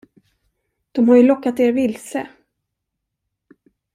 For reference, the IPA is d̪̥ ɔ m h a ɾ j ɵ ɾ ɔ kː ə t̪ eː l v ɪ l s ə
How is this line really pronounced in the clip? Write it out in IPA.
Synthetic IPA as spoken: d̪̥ ɔ m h a ɾ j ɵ l ɔ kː a t̪ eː ɾ v ɪ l s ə